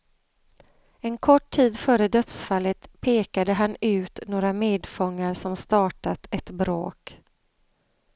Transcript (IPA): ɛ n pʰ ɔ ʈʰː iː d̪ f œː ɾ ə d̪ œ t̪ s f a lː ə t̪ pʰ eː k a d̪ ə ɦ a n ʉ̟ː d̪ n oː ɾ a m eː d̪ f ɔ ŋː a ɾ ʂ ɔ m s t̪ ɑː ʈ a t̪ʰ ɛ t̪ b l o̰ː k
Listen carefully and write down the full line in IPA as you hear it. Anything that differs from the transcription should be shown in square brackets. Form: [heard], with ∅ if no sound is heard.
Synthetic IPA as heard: ɛ n [kʰ] ɔ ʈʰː iː d̪ f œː ɾ ə d̪ œ t̪ s f a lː ə t̪ pʰ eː k a d̪ ə ɦ a n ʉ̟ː [t̪] n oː ɾ a m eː d̪ f ɔ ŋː a ɾ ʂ ɔ m s t̪ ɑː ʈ a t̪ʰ ɛ t̪ b [ɾ] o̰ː k